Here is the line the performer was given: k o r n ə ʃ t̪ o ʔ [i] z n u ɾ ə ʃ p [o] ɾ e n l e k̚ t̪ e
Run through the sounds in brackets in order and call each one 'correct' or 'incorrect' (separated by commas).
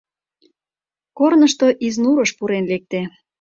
correct, incorrect